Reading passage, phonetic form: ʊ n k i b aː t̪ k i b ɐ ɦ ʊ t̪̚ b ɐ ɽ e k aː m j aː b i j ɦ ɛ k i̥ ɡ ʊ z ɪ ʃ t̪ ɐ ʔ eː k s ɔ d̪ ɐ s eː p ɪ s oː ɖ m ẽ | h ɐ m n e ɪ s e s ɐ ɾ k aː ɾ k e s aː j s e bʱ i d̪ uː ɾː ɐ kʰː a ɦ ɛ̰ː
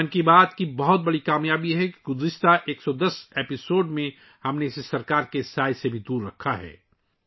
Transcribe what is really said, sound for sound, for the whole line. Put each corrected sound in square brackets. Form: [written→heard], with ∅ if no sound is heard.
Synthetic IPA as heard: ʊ n k i b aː t̪ k i b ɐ ɦ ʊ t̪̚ b ɐ ɽ [e→i] k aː m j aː b i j ɦ ɛ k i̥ ɡ ʊ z ɪ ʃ t̪ [ɐ→a] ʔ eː k s ɔ d̪ ɐ s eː p ɪ s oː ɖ m ẽ | h ɐ m n e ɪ s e s ɐ ɾ k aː ɾ k e s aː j s e bʱ i d̪ uː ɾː ɐ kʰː a ɦ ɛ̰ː